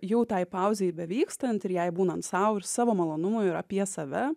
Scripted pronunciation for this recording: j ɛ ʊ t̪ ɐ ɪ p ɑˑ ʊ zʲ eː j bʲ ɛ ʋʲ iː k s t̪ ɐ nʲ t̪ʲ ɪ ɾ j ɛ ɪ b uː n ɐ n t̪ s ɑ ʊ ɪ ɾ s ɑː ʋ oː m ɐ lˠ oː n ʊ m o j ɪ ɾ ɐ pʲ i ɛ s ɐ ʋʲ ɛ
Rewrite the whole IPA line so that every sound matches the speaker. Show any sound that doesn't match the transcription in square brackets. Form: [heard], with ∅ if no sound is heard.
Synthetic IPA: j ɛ ʊ t̪ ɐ ɪ p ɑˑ ʊ zʲ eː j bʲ ɛ ʋʲ iː k s t̪ ɐ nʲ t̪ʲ ɪ ɾ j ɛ ɪ b uː n ɐ n t̪ s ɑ ʊ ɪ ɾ s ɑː ʋ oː m ɐ lˠ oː n ʊ m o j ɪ ɾ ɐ pʲ i ɛ s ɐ ʋʲ ɛ